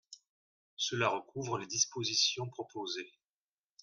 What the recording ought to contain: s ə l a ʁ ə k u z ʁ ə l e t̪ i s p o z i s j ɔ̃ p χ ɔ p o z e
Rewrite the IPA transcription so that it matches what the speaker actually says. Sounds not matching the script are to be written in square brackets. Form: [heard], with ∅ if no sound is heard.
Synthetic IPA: s ə l a ʁ ə k u [v] ʁ ə l e [d̪] i s p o z i s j ɔ̃ p χ ɔ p o z e